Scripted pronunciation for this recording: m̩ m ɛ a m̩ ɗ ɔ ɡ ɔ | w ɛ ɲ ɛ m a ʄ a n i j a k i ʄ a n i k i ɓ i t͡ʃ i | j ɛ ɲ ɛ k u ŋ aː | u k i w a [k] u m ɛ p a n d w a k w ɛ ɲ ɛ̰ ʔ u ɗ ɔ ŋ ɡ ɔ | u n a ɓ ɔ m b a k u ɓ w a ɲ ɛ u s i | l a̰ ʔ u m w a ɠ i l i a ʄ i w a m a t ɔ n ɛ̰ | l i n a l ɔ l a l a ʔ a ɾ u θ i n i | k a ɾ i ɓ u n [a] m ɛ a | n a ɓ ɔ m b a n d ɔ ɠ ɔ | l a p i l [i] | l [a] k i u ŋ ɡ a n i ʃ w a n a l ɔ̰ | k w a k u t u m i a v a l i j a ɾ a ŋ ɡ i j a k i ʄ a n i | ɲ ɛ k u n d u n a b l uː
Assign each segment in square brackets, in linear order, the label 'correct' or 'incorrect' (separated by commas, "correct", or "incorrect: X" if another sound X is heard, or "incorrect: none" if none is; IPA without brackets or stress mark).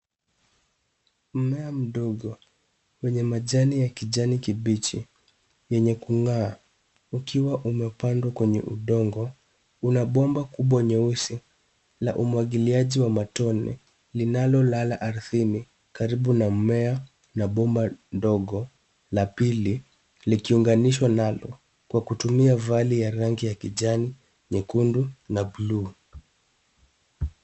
incorrect: ʔ, correct, correct, incorrect: i